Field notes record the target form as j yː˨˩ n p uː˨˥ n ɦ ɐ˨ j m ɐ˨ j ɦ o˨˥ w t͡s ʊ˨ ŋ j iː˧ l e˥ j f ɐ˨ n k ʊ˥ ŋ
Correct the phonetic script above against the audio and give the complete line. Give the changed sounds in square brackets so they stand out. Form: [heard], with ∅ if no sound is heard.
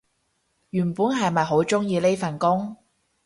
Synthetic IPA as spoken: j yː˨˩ n p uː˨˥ n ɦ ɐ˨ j m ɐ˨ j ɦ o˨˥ w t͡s [ʊ˥] ŋ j iː˧ l e˥ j f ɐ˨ n k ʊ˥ ŋ